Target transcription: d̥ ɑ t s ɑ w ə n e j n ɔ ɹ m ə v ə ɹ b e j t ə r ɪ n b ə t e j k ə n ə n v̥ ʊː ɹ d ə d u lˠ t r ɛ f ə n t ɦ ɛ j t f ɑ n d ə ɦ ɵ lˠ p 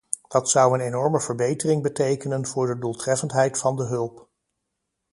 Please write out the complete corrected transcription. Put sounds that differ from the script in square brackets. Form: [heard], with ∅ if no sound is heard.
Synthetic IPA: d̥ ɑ t s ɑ w ə n e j n ɔ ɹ m ə v ə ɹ b e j t ə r ɪ [ŋ] b ə t e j k ə n ə n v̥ ʊː ɹ d ə d u lˠ t r ɛ f ə n t ɦ ɛ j t f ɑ n d ə ɦ ɵ lˠ p